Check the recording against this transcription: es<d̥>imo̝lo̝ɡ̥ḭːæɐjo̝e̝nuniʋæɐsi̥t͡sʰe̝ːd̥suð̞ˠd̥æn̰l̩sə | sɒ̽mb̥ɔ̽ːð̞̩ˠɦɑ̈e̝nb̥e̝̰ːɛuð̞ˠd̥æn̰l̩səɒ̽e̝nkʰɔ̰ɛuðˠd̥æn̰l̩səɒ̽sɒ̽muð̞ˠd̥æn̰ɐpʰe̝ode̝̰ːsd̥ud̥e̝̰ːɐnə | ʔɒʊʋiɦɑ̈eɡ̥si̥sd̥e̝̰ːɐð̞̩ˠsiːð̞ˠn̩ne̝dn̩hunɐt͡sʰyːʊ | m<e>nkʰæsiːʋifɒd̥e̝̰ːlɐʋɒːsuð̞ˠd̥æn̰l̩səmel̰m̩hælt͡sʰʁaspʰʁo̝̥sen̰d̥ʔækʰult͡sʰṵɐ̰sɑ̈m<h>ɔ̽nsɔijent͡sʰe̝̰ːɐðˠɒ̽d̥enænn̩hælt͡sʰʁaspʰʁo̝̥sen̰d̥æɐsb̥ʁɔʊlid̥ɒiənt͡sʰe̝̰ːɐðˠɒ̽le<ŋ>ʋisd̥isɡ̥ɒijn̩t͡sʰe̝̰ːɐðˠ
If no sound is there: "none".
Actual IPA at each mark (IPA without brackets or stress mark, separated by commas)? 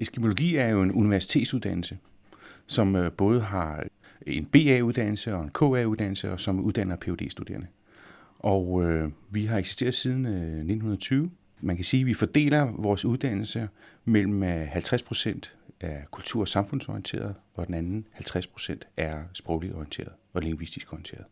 ɡ̥, æ, f, ŋ